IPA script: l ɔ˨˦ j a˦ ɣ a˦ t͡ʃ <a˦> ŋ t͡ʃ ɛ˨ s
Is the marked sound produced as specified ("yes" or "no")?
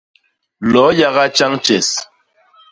yes